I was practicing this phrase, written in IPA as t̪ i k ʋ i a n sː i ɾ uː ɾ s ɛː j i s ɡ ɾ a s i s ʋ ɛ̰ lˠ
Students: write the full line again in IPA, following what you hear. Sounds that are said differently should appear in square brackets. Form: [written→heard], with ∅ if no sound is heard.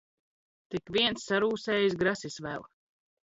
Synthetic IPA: t̪ i k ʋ i [a→ɛ] n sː [i→a] ɾ uː [ɾ→∅] s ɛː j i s ɡ ɾ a s i s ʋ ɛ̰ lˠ